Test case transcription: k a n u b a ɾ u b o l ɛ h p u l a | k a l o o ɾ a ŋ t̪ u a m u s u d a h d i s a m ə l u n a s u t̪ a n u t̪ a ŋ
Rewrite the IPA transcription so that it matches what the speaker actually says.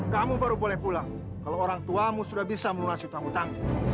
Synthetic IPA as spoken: k a m u b a ɾ u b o l ɛ h p u l a | k a l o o ɾ a ŋ t̪ u a m u s u d a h b i s a m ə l u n a s u t̪ a ŋ u t̪ a ŋ